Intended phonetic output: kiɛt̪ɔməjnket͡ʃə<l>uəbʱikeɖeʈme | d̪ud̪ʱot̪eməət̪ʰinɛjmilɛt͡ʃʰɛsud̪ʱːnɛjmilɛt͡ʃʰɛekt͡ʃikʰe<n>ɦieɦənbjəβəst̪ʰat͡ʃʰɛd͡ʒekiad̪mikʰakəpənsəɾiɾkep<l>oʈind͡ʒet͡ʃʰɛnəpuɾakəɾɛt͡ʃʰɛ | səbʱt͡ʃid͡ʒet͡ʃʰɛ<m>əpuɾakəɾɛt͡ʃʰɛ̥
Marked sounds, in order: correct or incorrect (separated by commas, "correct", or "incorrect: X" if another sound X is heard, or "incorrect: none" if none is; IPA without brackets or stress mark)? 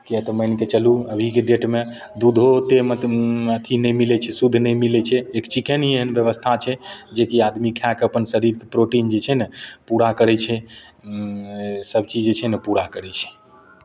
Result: correct, correct, incorrect: ɾ, incorrect: n